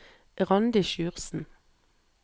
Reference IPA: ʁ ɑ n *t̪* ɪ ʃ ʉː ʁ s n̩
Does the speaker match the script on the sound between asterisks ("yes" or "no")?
no